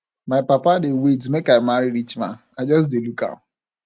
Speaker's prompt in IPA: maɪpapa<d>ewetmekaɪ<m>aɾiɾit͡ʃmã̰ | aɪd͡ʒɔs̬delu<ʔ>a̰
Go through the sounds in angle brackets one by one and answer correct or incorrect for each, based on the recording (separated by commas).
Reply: correct, correct, incorrect